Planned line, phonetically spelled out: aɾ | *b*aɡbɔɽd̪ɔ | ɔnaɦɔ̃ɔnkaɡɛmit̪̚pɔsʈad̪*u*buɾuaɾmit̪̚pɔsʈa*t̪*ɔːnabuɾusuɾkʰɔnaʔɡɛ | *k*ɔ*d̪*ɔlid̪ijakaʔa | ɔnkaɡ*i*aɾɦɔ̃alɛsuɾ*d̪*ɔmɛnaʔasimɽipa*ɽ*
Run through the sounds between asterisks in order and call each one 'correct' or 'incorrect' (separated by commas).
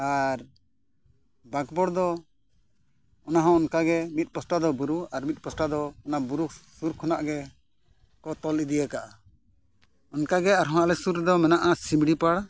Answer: correct, incorrect, incorrect, correct, incorrect, incorrect, correct, correct